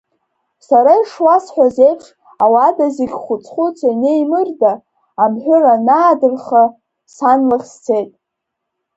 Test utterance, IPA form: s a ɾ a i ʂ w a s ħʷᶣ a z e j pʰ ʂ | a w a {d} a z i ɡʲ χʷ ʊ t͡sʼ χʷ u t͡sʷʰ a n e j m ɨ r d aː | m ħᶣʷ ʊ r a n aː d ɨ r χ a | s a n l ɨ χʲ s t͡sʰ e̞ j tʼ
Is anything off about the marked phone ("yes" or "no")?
no